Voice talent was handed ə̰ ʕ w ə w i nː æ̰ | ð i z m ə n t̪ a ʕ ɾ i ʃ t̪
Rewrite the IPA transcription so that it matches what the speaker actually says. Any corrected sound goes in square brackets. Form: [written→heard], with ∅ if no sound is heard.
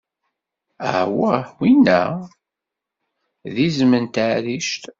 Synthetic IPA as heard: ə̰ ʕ w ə w i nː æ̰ | ð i z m ə n t̪ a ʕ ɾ i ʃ t̪